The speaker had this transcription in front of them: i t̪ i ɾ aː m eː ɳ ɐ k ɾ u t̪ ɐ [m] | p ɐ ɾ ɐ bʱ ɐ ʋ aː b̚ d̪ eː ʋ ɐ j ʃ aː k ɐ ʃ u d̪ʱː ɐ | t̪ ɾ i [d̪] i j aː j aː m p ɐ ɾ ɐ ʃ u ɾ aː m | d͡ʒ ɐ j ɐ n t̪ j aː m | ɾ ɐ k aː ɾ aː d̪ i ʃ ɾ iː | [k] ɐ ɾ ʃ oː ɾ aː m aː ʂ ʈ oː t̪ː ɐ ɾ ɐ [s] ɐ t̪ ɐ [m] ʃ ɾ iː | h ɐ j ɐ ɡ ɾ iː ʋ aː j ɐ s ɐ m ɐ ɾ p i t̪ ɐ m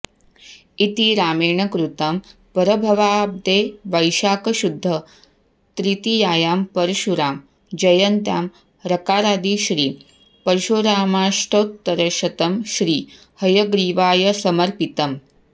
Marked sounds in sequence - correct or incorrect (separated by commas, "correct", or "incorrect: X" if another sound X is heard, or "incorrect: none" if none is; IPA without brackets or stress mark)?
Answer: correct, incorrect: t̪, incorrect: p, incorrect: ʃ, correct